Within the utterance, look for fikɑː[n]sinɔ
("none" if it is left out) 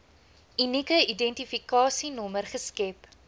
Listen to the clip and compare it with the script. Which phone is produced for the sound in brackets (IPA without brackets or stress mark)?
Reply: none